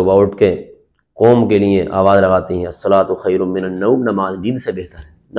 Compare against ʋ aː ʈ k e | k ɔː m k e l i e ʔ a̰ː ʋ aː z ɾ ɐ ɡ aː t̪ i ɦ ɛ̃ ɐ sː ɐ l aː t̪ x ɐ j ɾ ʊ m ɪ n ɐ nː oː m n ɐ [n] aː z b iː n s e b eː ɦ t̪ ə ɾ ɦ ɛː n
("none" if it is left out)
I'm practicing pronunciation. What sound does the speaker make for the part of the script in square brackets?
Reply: m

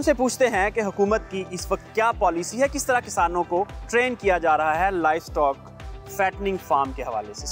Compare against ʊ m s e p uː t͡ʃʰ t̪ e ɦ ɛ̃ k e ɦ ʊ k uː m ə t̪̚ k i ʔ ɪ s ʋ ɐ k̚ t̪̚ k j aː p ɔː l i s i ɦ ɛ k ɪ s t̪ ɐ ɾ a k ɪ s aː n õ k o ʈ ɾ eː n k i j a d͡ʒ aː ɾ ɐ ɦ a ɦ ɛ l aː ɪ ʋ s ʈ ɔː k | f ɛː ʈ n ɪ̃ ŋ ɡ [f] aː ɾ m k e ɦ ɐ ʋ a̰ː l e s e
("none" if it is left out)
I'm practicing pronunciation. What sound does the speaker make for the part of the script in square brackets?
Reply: f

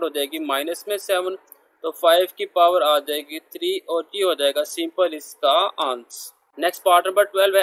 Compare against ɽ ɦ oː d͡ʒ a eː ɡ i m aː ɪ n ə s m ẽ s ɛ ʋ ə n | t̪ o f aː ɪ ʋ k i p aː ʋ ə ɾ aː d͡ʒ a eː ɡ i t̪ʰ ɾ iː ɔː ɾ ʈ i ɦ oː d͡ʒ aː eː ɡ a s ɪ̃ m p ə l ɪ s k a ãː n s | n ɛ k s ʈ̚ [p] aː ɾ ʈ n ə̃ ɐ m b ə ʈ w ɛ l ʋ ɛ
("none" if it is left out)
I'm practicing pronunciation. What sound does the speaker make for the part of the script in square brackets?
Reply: p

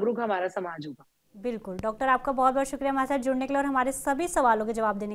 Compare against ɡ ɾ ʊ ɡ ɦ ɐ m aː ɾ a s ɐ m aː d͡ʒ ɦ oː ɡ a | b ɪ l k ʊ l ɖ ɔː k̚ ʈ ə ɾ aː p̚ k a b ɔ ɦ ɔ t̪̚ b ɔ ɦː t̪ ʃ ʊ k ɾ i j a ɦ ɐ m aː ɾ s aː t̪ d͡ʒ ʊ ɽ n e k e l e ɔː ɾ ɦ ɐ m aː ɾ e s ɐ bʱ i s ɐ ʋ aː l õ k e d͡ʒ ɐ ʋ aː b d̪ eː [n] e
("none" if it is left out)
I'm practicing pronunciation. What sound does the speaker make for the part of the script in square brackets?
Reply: n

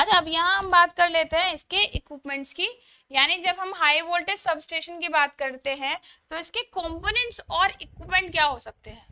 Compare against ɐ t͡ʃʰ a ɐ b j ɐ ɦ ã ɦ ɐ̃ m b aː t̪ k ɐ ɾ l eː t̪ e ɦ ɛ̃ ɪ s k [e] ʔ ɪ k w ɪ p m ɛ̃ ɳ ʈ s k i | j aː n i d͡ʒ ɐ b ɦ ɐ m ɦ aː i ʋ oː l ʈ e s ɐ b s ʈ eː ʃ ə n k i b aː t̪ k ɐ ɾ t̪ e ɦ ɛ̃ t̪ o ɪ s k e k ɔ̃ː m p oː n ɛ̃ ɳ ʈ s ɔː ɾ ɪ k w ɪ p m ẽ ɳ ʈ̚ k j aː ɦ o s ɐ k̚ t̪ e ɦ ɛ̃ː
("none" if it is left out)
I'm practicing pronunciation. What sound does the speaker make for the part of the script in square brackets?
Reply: e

